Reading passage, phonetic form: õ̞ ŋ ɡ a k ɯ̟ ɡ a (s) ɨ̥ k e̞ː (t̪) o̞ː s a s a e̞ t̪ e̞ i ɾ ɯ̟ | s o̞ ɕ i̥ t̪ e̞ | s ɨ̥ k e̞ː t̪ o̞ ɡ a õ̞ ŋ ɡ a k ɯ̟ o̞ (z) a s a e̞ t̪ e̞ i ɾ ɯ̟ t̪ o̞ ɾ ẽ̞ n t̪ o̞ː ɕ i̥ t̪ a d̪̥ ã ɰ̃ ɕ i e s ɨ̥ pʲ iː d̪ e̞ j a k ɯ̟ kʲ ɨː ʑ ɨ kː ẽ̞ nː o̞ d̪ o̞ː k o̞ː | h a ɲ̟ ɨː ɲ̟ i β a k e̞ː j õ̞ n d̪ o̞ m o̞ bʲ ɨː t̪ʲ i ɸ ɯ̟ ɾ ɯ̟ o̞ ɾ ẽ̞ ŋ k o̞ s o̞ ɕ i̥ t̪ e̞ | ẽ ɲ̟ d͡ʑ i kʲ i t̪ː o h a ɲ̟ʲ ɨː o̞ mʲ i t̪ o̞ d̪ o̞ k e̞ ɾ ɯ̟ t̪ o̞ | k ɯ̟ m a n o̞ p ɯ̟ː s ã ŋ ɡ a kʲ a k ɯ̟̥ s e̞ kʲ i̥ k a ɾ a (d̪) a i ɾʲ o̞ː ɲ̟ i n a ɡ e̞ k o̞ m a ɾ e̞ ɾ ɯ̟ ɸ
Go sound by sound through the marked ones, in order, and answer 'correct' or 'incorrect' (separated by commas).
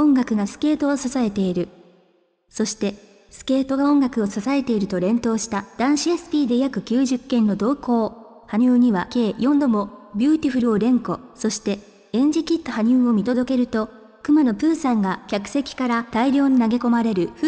correct, correct, incorrect, incorrect